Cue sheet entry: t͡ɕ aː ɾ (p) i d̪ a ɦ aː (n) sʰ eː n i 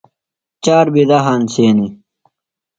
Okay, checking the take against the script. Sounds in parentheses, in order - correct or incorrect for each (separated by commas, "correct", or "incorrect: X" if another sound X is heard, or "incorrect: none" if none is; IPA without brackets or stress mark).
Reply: incorrect: b, correct